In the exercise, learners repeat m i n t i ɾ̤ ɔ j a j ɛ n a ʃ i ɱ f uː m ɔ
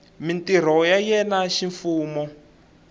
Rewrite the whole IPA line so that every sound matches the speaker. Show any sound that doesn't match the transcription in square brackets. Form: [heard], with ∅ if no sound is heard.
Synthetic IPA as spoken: m i n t i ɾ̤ ɔ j a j ɛ n a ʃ i ɱ f uː m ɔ